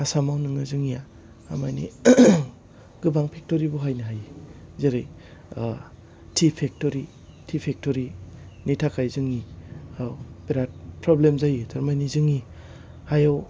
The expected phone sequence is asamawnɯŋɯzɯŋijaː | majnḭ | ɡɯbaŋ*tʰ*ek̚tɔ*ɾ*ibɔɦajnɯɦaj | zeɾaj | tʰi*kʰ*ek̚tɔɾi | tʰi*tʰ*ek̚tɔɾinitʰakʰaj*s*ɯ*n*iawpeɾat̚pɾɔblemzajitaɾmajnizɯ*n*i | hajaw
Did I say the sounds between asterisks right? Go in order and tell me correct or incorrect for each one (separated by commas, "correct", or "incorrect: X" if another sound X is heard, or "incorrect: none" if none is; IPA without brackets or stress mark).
incorrect: pʰ, correct, incorrect: pʰ, incorrect: pʰ, incorrect: z, incorrect: ŋ, incorrect: ŋ